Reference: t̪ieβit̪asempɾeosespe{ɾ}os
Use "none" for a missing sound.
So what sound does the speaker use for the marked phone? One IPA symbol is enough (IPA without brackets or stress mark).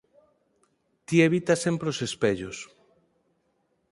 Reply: ʎ